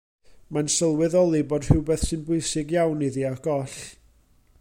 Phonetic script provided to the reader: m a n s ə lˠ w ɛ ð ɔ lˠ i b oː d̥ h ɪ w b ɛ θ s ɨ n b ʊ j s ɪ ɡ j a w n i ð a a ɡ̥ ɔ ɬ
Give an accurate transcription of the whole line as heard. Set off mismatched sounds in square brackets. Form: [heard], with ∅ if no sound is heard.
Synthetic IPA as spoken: m a n s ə lˠ w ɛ ð ɔ lˠ i b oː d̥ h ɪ w b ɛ θ s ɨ n b ʊ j s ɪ ɡ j a w n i ð [i] a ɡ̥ ɔ ɬ